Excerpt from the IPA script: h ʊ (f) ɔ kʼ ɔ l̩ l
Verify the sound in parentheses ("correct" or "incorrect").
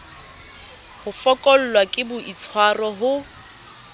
correct